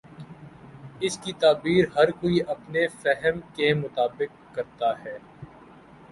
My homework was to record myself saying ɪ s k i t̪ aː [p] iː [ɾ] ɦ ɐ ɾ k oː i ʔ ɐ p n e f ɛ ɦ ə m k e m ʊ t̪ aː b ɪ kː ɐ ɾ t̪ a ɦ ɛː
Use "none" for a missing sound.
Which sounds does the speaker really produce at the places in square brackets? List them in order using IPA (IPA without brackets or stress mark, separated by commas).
b, ɾ